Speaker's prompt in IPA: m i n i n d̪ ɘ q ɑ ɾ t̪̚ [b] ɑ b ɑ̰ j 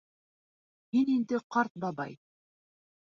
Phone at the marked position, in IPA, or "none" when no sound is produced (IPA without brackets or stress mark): b